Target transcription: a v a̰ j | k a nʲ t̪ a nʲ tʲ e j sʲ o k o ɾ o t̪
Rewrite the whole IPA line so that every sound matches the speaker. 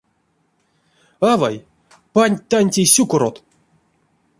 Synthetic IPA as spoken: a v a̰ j | p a nʲ t̪ a nʲ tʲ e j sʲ u k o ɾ o t̪